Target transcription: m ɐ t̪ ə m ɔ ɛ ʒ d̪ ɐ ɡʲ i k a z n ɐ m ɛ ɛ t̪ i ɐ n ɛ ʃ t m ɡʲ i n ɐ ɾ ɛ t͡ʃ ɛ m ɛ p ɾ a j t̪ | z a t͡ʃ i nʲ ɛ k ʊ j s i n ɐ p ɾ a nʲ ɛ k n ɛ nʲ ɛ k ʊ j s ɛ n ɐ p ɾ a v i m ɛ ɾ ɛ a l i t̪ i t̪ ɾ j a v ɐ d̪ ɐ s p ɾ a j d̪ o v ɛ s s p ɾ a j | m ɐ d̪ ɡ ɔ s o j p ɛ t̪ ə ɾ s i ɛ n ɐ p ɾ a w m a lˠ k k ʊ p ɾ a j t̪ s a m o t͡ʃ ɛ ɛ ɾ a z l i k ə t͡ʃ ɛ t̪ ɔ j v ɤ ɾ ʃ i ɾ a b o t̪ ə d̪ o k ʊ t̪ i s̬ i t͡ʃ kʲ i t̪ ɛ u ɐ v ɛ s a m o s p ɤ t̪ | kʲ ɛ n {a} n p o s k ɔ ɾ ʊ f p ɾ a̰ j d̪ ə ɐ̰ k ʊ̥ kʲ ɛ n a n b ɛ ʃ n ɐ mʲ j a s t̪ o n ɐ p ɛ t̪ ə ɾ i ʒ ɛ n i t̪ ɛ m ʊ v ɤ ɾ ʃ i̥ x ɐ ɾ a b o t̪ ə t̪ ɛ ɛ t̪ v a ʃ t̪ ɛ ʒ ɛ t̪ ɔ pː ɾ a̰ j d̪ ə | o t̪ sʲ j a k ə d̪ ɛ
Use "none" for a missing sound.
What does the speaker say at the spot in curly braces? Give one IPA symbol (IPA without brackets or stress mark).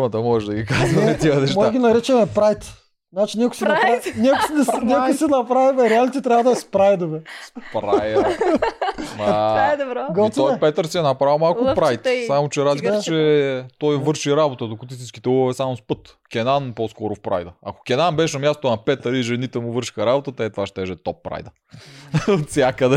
a